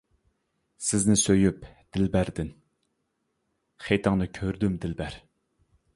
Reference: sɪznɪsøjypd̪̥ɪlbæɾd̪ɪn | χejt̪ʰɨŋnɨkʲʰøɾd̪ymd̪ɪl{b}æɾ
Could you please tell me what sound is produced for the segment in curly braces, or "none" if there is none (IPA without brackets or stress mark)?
b